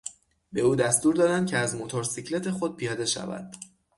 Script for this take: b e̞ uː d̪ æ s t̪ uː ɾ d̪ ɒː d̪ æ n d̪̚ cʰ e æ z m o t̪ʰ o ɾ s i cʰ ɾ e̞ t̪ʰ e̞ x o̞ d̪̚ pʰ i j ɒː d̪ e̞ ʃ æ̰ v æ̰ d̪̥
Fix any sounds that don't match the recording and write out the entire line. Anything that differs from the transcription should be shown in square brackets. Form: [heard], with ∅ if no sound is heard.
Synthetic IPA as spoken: b e̞ uː d̪ æ s t̪ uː ɾ d̪ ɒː d̪ æ n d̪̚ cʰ e æ z m o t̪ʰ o ɾ s i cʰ [l] e̞ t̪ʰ e̞ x o̞ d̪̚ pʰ i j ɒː d̪ e̞ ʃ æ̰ v æ̰ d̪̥